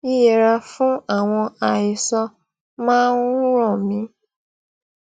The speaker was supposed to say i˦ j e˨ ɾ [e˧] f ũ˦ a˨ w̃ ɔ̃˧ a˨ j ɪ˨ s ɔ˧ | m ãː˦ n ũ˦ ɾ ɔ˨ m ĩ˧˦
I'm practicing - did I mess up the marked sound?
yes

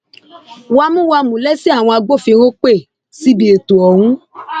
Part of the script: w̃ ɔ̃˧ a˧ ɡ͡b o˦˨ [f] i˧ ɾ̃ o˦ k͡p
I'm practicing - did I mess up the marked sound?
no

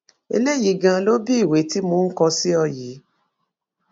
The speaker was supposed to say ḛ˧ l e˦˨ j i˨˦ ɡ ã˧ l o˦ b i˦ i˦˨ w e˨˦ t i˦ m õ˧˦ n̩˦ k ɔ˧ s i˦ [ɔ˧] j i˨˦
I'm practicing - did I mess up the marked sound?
no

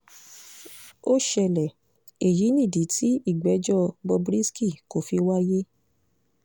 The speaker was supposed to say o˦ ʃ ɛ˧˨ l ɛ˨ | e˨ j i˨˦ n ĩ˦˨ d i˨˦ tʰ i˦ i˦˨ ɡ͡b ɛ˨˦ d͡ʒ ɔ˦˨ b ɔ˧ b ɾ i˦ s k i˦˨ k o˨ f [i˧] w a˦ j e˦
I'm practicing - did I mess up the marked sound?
no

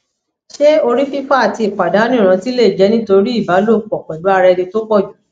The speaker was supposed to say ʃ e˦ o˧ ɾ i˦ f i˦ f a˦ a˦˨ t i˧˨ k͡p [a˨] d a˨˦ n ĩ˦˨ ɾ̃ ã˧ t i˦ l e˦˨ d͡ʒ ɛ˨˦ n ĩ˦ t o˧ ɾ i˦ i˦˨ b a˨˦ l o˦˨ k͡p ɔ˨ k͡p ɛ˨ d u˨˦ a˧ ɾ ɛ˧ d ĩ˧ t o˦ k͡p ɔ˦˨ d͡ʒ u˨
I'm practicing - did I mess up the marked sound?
no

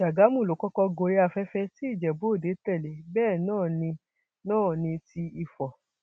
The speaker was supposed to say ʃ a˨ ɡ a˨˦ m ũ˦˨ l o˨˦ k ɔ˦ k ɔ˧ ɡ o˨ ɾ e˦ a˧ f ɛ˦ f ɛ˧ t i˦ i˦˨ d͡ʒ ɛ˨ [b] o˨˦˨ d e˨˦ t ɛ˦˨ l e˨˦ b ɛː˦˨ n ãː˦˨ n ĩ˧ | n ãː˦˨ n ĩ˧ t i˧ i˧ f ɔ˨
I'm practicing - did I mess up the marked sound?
no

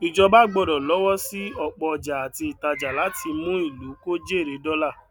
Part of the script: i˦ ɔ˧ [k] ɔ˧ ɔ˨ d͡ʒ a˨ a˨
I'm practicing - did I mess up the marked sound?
yes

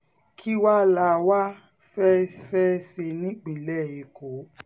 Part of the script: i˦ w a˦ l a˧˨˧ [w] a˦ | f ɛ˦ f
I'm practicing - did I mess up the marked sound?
no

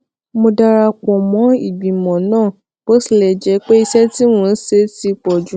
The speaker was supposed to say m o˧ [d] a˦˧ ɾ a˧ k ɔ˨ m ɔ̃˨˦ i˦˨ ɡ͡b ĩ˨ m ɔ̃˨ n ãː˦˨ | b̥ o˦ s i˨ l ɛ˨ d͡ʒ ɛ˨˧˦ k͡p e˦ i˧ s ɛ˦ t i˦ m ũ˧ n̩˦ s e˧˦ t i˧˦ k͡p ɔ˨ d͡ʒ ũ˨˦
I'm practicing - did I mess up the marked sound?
no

